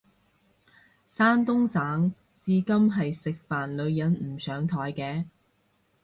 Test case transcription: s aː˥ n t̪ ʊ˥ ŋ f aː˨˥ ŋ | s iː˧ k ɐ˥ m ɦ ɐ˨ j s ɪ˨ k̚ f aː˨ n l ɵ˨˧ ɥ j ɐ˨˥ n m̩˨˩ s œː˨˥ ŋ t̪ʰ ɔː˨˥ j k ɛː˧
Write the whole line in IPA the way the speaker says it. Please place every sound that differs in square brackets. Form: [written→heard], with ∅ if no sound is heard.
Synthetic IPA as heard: s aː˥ n t̪ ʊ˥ ŋ [f→s] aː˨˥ ŋ | [s→t͡s] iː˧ k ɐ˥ m ɦ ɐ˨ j s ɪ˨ k̚ f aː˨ n l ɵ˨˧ ɥ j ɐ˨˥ n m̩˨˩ s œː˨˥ ŋ t̪ʰ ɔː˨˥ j k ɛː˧